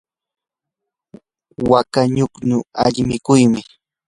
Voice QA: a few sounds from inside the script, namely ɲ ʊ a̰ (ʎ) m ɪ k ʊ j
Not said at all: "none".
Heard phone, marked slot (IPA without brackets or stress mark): ʎ